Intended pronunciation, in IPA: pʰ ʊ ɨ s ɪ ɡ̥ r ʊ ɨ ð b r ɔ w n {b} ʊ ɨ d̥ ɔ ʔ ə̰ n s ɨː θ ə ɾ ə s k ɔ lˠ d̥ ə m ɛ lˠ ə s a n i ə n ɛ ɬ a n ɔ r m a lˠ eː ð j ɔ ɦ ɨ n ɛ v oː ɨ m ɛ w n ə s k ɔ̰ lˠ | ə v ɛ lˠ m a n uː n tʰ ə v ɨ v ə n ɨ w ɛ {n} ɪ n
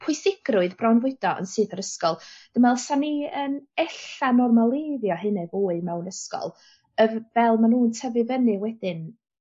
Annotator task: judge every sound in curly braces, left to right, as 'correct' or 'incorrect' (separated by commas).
incorrect, incorrect